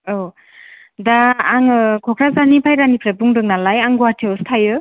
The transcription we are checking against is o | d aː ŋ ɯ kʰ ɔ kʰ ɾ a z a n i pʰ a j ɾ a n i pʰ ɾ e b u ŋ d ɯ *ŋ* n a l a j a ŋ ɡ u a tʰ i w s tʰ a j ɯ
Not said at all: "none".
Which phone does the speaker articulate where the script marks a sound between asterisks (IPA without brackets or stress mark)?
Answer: ŋ